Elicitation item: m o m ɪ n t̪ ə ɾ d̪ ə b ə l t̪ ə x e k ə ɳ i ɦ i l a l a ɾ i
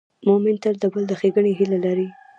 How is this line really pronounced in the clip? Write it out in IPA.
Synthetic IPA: m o m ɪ n t̪ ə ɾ d̪ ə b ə l d̪ ə x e ɡ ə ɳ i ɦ i l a l a ɾ i

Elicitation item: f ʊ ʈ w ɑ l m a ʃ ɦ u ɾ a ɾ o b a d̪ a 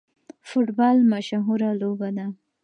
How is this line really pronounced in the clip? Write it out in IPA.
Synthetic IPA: f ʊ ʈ b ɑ l m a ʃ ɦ u ɾ a l o b a d̪ a

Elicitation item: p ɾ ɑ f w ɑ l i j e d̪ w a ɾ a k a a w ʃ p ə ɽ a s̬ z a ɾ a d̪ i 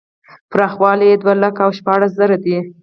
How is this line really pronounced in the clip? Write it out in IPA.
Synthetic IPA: p ɾ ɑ x w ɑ l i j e d̪ w a l a k a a w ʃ p ɑ ɽ a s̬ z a ɾ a d̪ i

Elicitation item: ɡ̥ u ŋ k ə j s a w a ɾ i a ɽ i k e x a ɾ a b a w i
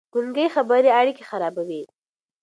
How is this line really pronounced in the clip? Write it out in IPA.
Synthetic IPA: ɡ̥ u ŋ ɡ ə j x a b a ɾ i a ɽ i k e x a ɾ ɑ b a w i

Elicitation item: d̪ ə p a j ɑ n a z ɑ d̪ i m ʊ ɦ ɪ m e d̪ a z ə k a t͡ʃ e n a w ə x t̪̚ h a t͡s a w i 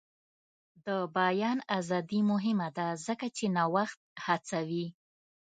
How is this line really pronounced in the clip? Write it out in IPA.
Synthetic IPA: d̪ ə b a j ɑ n a z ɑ d̪ i m ʊ ɦ ɪ m a d̪ a z ə k a t͡ʃ e n a w a x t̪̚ h a t͡s a w i

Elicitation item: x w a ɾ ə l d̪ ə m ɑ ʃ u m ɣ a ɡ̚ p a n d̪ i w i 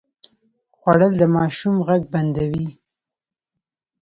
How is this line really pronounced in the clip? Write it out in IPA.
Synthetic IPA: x w a ɽ ə l d̪ ə m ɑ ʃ u m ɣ a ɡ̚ b a n d̪ a w i

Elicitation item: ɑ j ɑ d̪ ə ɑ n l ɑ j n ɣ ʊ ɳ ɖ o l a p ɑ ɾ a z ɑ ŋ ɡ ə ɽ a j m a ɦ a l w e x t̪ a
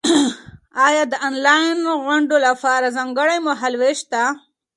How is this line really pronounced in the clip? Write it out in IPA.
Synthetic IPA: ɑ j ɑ d̪ ə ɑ n l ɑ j n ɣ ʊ ɳ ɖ o l a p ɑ ɾ a z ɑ ŋ ɡ ə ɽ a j m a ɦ a l w e ʃ t̪ a

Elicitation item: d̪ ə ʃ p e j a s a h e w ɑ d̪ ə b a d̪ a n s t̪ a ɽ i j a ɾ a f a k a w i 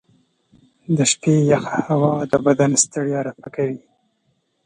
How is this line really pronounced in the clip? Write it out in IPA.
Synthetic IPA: d̪ ə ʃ p e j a x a h a w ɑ d̪ ə b a d̪ a n s t̪ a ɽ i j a ɾ a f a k a w i

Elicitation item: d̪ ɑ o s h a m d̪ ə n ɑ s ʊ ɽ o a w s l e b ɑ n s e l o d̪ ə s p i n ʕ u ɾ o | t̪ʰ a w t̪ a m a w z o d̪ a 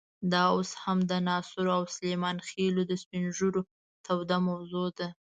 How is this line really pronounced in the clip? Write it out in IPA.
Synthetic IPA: d̪ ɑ o s h a m d̪ ə n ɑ s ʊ ɾ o a w s l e m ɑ n x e l o d̪ ə s p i n ʒ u ɾ o | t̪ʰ a w d̪ a m a w z o d̪ a

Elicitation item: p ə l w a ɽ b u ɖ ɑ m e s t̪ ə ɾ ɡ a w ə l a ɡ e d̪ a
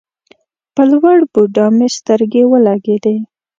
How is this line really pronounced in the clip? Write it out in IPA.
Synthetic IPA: p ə l w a ɽ b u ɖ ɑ m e s t̪ ə ɾ ɡ e w ə l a ɡ e d̪ e

